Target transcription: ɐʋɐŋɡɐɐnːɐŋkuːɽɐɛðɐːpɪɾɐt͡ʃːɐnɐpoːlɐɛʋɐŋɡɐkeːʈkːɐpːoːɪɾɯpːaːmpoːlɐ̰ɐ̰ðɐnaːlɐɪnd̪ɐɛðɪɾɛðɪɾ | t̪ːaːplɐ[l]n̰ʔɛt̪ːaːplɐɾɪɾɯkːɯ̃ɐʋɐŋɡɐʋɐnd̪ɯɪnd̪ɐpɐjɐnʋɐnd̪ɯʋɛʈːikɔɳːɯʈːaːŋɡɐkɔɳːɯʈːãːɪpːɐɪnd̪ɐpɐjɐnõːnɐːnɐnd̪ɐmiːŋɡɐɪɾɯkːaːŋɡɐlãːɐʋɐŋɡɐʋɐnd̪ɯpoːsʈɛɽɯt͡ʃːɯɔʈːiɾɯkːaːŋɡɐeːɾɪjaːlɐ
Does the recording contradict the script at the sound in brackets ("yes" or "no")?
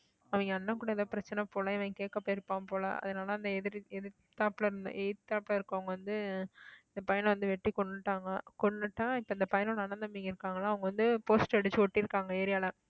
yes